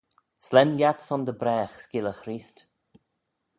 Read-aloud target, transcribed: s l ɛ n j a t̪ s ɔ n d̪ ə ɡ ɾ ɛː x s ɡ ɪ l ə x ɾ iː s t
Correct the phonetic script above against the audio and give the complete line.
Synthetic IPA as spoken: s l ɛ n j a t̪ s ɔ n d̪ ə b ɾ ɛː x s k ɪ l ə x ɾ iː s t